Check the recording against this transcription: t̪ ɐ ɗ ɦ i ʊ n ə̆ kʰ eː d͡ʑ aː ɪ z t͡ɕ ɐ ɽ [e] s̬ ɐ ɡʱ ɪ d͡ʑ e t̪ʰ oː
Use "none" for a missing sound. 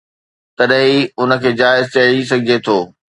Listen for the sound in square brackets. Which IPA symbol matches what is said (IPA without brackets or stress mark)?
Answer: i